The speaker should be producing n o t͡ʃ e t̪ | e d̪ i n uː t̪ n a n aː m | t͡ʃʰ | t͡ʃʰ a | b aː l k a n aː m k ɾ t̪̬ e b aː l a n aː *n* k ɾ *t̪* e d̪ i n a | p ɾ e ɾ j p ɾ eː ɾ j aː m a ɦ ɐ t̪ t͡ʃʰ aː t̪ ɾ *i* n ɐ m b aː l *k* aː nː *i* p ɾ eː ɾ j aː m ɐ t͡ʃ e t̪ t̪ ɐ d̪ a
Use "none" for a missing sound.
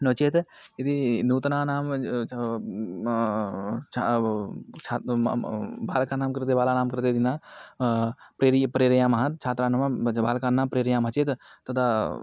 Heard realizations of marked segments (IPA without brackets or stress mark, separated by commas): m, t̪, a, k, a